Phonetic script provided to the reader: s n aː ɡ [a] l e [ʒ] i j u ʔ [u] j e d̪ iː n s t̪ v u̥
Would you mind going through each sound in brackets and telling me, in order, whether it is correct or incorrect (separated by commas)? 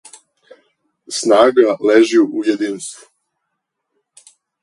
correct, correct, correct